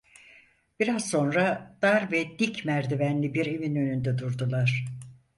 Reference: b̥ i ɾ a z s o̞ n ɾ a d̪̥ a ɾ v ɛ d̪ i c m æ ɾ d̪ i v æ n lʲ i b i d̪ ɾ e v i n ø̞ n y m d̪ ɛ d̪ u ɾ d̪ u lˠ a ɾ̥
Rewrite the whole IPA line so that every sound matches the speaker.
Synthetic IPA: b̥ i ɾ a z s o̞ n ɾ a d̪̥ a ɾ v ɛ d̪ i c m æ ɾ d̪ i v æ n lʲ i b i ɾ e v i n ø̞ n y n d̪ ɛ d̪ u ɾ d̪ u lˠ a ɾ̥